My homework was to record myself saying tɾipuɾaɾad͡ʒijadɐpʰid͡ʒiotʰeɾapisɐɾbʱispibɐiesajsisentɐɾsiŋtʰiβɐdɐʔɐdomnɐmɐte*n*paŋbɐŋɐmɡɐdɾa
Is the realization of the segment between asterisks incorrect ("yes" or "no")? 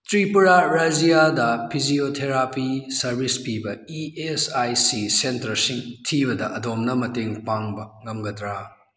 yes